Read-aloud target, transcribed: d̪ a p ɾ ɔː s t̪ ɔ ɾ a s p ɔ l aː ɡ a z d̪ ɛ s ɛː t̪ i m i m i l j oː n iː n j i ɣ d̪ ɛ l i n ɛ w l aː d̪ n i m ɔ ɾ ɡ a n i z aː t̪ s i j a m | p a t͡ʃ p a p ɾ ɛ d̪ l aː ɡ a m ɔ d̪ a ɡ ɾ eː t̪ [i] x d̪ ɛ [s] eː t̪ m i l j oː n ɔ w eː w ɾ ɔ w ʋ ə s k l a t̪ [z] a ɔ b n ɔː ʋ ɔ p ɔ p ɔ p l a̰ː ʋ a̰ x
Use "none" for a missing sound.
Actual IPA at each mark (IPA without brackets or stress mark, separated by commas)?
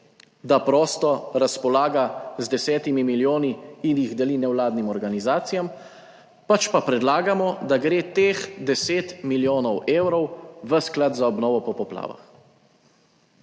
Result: e, s, z